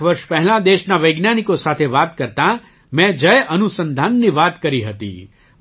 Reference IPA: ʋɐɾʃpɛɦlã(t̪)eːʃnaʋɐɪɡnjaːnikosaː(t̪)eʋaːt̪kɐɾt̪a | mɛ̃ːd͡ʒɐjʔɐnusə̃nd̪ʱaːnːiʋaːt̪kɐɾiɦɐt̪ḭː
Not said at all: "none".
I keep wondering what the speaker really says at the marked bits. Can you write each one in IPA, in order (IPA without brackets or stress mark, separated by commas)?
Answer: d̪, t̪ʰ